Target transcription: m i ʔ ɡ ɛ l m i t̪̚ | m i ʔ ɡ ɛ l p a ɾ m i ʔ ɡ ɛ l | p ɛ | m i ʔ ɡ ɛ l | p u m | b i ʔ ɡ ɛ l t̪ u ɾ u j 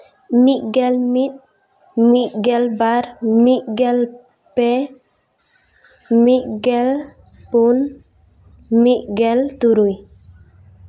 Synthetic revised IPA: m i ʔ ɡ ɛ l m i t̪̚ | m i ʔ ɡ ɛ l b a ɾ m i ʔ ɡ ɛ l | p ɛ | m i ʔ ɡ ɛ l | p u n | m i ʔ ɡ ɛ l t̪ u ɾ u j